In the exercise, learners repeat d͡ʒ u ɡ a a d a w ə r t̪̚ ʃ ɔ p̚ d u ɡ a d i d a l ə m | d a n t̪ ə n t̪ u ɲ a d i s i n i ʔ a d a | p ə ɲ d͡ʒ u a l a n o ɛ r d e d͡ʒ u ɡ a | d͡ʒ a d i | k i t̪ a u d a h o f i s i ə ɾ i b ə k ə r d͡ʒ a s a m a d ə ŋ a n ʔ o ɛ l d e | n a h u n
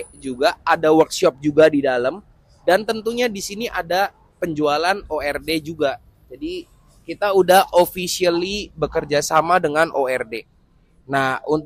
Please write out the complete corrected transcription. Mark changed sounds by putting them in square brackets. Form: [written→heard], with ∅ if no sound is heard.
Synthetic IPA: d͡ʒ u ɡ a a d a w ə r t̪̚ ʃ ɔ p̚ [d→d͡ʒ] u ɡ a d i d a l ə m | d a n t̪ ə n t̪ u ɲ a d i s i n i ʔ a d a | p ə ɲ d͡ʒ u a l a n o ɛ r d e d͡ʒ u ɡ a | d͡ʒ a d i | k i t̪ a u d a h o f i s i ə [ɾ→l] i b ə k ə r d͡ʒ a s a m a d ə ŋ a n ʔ o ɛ [l→r] d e | n a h u n